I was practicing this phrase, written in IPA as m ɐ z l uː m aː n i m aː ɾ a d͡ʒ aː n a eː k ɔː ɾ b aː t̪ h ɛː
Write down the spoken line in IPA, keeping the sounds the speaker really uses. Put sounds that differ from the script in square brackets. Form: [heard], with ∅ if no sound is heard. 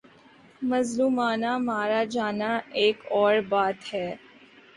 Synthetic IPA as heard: m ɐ z l uː m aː n [a] m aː ɾ a d͡ʒ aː n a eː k ɔː ɾ b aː t̪ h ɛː